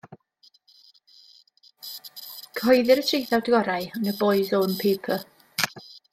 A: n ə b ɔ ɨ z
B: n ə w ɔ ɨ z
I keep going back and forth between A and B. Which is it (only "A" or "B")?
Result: A